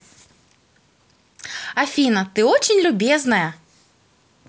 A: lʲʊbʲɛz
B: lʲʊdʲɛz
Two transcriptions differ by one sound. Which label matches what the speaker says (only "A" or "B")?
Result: A